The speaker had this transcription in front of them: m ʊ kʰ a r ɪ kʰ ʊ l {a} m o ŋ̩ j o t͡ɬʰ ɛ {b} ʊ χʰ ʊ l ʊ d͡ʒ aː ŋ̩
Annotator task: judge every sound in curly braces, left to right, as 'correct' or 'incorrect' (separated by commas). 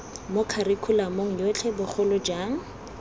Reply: correct, correct